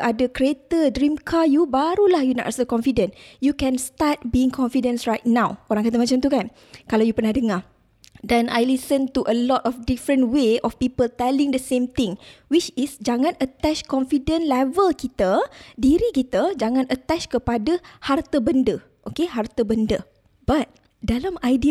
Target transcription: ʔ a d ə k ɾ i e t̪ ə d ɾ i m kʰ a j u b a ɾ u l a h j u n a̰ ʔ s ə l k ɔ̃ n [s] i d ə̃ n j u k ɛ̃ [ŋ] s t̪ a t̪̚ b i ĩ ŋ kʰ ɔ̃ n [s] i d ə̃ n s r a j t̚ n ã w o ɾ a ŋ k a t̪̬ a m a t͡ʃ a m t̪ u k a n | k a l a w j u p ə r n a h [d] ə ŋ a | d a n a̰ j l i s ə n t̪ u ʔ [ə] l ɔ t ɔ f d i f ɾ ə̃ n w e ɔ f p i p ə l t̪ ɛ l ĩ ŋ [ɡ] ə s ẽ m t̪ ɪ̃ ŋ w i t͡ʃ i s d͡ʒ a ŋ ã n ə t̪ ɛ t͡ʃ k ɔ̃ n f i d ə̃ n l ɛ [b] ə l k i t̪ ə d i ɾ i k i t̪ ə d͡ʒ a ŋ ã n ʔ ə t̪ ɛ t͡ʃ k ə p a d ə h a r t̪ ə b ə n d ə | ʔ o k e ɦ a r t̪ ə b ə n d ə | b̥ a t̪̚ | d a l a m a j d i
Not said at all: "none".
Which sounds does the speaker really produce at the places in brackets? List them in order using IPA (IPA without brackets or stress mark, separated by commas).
f, n, f, d, ə, d, v